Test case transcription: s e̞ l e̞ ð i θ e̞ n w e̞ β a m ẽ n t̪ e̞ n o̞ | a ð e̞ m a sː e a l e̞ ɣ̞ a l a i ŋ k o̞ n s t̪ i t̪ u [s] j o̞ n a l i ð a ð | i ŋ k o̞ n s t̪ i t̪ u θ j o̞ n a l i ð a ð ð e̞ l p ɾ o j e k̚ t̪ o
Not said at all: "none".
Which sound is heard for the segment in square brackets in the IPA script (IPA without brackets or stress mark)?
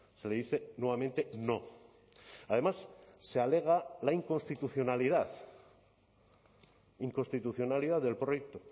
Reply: θ